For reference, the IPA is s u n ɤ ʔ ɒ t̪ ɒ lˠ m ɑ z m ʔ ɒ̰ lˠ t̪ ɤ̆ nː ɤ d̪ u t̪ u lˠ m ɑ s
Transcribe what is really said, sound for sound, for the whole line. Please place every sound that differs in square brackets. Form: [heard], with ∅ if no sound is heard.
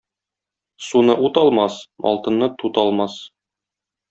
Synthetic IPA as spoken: s u n ɤ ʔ [u] t̪ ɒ lˠ m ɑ [s] m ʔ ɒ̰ lˠ t̪ ɤ̆ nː ɤ [t̪] u t̪ [ɒ] lˠ m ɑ s